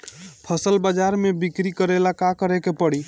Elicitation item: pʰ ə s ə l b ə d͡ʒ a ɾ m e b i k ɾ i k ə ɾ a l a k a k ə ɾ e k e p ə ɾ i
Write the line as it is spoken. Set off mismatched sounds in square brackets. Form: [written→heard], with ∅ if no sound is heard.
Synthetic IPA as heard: pʰ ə s ə l b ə d͡ʒ a ɾ m e b i k ɾ i k ə ɾ [a→e] l a k a k ə ɾ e k e p ə [ɾ→ɽ] i